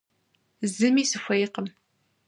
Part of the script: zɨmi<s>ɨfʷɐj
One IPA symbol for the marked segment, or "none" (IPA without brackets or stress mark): s